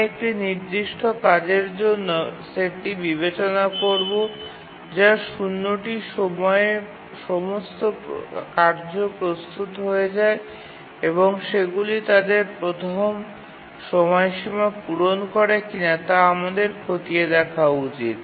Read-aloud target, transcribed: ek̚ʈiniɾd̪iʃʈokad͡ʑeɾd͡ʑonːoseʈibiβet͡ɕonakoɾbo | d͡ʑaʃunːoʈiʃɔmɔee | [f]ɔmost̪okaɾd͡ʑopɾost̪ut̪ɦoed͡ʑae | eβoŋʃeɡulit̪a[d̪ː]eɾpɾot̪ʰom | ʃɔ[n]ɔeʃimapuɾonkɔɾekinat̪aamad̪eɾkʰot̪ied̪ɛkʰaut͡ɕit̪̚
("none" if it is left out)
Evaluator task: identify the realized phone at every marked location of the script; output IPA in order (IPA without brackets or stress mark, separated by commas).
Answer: ʃ, d̪, m